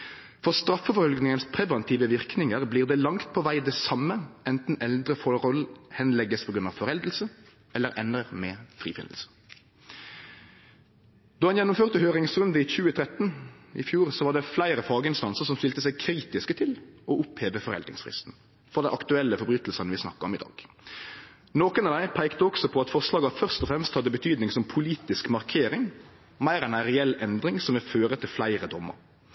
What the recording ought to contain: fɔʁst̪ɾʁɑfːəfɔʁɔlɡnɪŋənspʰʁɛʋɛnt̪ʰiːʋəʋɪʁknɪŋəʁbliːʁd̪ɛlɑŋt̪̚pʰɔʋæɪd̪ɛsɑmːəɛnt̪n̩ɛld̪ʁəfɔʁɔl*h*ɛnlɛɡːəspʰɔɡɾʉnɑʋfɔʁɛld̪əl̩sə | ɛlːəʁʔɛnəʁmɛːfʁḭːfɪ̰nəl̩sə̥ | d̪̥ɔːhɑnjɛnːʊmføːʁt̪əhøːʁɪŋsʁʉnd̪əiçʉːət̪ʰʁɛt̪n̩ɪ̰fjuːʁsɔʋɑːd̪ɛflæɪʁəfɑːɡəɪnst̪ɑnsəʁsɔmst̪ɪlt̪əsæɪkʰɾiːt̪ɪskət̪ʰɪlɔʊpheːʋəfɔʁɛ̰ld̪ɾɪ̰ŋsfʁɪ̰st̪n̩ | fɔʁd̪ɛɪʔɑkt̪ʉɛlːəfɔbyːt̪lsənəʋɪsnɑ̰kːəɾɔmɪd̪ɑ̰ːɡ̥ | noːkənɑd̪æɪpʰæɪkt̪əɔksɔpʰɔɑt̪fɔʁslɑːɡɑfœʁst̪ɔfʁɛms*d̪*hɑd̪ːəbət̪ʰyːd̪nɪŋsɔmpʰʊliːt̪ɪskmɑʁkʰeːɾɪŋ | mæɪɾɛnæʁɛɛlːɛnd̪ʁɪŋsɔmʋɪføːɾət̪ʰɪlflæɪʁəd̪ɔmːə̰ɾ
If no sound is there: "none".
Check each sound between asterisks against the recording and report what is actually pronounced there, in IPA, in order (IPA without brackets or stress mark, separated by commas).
h, t̪